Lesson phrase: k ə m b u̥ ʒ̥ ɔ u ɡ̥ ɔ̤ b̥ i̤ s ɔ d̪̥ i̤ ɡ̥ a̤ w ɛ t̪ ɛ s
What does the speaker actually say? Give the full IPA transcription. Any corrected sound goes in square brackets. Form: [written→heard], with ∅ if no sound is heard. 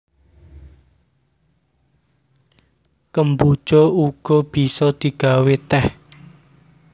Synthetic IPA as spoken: k ə m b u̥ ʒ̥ ɔ u ɡ̥ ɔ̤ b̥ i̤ s ɔ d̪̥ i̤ ɡ̥ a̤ w [ɛ→e] t̪ ɛ [s→h]